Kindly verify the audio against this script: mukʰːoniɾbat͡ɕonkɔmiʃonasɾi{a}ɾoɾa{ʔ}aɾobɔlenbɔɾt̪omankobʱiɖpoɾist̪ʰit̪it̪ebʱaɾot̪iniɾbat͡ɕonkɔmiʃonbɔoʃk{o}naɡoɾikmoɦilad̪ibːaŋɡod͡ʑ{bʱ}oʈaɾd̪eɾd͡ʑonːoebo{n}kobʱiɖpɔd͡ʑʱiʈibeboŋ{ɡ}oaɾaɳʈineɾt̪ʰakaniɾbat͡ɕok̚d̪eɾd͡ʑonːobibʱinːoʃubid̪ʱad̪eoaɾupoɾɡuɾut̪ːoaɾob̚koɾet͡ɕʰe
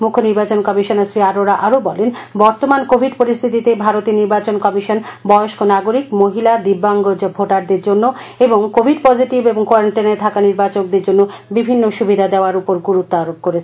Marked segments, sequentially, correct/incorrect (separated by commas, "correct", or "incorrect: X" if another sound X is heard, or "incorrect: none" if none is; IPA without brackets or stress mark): correct, correct, correct, correct, incorrect: ŋ, incorrect: k